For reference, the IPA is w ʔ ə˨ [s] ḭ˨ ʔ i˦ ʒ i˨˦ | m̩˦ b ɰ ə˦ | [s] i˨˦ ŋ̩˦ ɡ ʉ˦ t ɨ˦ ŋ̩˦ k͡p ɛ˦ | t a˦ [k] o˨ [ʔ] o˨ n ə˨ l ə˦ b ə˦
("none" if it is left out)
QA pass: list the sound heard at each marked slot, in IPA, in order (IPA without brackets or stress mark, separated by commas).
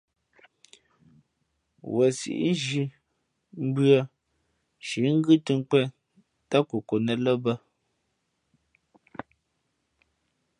s, ʃ, k, k